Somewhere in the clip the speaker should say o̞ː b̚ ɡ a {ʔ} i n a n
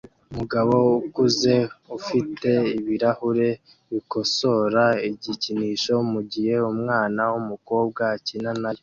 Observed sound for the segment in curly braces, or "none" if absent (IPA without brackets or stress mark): c